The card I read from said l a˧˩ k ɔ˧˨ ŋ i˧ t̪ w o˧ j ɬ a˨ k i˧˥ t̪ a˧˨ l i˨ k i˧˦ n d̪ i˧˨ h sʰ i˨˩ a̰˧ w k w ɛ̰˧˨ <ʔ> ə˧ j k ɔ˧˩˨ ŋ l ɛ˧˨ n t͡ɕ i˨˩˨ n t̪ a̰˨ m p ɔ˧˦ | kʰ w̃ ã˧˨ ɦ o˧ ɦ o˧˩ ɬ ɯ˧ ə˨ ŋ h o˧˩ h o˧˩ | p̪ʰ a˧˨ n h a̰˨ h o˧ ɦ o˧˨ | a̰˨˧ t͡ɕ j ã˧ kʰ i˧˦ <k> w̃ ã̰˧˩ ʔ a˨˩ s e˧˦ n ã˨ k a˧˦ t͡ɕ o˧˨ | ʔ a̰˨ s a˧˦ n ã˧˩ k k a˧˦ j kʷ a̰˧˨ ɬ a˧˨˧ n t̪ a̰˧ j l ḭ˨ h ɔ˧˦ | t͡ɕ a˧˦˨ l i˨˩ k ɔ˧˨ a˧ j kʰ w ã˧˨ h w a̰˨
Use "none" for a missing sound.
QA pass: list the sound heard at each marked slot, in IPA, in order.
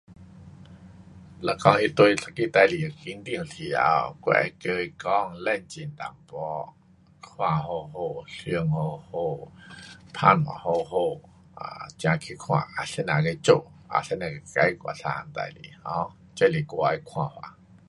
k, kʰ

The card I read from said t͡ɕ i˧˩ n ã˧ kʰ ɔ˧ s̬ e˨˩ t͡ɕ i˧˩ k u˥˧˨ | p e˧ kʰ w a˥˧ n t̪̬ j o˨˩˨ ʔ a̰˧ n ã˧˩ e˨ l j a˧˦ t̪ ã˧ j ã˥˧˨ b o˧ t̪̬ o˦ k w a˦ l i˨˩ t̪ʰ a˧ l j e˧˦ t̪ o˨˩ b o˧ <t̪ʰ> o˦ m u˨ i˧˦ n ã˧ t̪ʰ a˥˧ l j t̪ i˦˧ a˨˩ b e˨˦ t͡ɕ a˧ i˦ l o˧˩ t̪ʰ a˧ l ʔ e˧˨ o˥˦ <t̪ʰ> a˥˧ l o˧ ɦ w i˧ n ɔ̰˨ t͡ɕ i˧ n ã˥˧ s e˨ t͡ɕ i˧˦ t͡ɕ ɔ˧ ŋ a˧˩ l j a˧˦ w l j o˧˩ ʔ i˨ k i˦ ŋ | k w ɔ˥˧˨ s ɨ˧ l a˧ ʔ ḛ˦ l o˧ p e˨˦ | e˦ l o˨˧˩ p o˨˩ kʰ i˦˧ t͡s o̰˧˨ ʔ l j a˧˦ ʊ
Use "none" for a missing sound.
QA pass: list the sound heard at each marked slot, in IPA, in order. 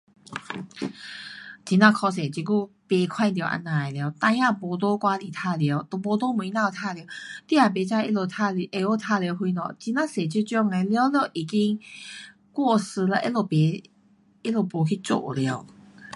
t̪, t̪ʰ

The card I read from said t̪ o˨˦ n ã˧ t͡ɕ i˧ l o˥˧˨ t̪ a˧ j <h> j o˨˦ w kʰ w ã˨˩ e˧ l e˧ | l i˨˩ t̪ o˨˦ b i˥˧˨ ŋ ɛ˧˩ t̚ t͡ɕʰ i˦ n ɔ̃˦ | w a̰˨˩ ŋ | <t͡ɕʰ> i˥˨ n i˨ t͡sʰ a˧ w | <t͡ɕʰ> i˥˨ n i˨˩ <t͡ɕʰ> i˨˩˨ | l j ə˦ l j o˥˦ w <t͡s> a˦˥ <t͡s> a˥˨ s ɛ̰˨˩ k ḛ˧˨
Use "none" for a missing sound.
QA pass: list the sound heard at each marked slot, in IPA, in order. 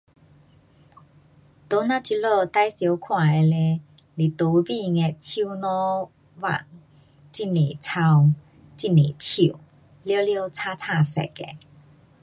s, t͡ɕ, t͡ɕ, t͡ɕʰ, t͡sʰ, t͡sʰ

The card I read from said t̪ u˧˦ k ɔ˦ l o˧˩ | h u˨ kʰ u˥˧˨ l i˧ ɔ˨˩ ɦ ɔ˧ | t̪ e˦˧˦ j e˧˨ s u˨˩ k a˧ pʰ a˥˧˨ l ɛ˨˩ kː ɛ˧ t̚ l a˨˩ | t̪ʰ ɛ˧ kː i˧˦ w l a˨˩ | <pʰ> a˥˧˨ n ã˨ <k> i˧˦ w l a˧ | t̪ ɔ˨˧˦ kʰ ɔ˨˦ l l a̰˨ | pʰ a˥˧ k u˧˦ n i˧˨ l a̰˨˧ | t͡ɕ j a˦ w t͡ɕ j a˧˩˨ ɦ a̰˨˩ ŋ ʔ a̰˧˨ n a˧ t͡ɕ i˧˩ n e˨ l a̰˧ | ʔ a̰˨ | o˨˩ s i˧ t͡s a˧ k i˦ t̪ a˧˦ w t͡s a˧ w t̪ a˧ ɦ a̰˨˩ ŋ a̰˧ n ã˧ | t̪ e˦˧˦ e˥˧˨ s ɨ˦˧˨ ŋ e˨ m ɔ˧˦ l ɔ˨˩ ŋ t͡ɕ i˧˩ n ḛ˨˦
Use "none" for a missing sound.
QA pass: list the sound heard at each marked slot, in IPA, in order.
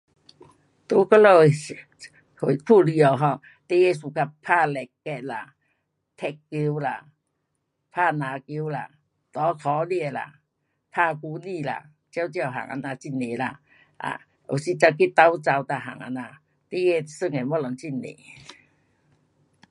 pʰ, k

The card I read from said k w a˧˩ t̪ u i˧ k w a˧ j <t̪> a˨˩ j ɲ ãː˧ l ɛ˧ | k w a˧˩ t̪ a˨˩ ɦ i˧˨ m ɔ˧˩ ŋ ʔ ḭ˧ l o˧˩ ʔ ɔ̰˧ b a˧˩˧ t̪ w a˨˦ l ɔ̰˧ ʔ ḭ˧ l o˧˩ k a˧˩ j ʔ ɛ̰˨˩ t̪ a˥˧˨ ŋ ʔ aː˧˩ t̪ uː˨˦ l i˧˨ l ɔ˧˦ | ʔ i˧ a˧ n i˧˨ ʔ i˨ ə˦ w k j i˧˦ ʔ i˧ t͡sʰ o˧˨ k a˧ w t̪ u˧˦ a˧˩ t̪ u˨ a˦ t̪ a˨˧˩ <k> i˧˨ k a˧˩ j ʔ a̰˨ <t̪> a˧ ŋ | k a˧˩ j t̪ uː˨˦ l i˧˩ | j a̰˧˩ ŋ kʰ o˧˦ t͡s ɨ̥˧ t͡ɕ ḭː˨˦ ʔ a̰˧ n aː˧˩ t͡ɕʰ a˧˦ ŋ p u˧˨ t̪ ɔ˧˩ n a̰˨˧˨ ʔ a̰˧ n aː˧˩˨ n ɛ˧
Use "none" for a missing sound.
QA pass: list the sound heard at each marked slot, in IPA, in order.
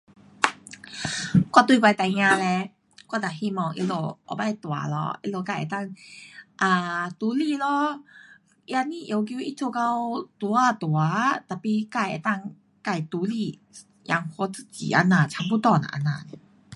t̪, p, t̪

